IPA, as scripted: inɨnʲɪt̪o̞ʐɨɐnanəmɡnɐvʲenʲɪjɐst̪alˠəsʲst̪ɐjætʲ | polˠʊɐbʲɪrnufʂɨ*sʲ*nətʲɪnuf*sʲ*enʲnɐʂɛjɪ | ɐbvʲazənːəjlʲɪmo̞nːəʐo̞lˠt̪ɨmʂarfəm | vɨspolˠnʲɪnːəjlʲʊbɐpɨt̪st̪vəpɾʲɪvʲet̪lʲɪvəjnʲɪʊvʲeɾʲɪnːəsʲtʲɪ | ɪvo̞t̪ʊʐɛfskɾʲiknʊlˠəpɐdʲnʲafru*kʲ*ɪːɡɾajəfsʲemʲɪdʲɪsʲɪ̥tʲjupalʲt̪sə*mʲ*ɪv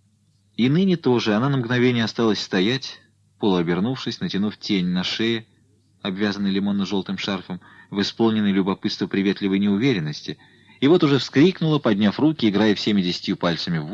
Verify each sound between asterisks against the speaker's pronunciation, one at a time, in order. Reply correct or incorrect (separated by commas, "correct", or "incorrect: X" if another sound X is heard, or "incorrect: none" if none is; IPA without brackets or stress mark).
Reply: correct, incorrect: tʲ, correct, correct